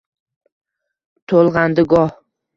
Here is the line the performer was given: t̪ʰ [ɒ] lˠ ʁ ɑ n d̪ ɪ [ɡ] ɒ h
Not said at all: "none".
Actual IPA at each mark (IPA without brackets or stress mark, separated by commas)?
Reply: o, ɡ